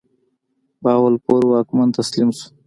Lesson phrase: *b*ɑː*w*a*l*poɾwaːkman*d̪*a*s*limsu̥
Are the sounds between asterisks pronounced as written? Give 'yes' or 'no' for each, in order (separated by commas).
yes, yes, yes, no, yes